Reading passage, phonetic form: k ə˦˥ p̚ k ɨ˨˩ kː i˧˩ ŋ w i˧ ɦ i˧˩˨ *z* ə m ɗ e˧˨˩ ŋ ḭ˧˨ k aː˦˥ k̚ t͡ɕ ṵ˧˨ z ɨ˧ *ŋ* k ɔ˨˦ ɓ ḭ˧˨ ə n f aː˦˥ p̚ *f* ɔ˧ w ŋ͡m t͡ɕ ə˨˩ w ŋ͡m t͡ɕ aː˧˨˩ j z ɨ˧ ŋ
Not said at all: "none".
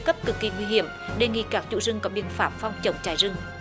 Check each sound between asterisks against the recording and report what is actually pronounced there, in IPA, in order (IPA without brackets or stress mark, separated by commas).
none, ŋ, f